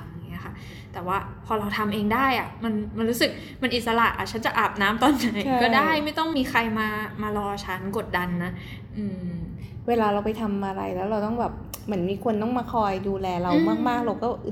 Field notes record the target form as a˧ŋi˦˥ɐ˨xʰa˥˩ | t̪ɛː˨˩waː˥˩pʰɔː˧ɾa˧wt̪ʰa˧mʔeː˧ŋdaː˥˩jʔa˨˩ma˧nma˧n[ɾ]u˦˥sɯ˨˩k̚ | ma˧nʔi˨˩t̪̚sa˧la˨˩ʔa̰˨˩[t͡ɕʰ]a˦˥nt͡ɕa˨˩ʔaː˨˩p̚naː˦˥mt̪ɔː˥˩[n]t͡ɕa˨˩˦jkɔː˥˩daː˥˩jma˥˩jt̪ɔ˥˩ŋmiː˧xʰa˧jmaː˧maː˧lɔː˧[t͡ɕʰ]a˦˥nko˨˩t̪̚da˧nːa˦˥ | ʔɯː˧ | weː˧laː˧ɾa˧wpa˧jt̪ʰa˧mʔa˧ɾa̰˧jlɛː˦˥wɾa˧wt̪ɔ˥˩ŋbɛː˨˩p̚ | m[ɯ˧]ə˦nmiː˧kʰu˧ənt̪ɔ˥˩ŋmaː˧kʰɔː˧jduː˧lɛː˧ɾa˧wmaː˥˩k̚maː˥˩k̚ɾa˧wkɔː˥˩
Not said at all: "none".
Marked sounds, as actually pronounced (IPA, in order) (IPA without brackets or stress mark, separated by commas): ɾ, t͡ɕʰ, n, t͡ɕʰ, ɯ˩˦